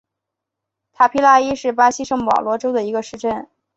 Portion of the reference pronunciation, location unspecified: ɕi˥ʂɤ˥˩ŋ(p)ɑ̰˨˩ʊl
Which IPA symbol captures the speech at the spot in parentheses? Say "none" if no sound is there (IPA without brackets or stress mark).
p